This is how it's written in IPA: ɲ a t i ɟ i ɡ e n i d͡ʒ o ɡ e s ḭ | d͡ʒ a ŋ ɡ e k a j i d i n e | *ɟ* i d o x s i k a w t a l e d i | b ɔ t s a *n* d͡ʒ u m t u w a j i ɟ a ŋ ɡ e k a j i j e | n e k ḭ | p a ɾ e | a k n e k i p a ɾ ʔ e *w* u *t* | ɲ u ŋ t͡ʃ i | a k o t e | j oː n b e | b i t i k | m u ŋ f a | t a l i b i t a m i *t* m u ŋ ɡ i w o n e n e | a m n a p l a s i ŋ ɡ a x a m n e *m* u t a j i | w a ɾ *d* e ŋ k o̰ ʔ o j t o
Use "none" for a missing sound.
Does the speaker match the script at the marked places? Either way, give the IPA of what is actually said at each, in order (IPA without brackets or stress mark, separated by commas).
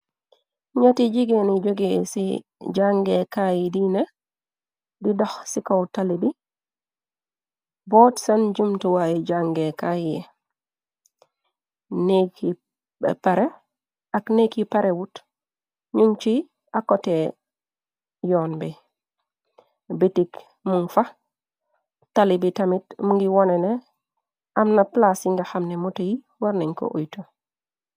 d, n, w, t, t, m, n